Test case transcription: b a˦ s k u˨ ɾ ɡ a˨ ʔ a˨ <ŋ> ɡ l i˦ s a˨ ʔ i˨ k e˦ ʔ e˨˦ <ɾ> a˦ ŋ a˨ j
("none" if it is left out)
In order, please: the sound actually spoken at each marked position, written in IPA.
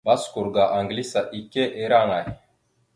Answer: ŋ, ɾ

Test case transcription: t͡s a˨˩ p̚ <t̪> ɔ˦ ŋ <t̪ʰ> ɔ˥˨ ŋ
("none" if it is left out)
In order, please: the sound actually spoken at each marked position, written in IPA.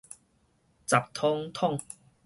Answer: t̪ʰ, t̪ʰ

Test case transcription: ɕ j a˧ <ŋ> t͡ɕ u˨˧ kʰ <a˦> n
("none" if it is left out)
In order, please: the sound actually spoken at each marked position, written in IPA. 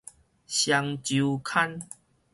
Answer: ŋ, a˦

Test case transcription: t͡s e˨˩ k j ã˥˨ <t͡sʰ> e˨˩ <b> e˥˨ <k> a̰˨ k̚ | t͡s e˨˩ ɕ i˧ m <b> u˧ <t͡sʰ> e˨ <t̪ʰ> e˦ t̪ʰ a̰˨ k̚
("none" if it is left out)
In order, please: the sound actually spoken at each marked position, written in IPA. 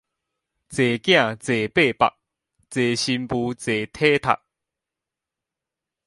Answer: t͡s, p, p, p, t͡s, t̪ʰ

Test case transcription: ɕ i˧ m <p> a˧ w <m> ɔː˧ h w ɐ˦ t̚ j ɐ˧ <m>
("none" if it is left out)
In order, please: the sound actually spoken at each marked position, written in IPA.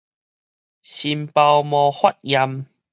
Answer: p, m, m

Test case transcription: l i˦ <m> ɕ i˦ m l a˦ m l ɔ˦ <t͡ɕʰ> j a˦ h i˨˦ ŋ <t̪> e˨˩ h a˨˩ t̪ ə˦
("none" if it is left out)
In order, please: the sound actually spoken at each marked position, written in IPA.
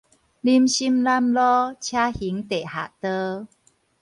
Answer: m, t͡ɕʰ, t̪

